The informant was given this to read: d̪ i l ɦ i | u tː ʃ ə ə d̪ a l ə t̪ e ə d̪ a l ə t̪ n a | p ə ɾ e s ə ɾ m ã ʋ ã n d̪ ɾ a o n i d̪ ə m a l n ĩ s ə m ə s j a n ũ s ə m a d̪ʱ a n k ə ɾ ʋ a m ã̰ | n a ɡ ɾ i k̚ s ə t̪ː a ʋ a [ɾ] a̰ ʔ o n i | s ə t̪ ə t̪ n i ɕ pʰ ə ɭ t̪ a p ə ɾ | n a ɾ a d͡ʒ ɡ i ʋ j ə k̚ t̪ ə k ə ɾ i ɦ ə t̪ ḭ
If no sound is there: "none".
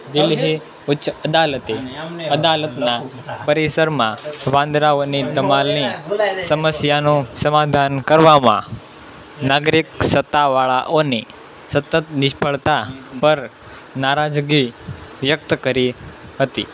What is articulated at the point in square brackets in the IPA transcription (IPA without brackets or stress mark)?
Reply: ɭ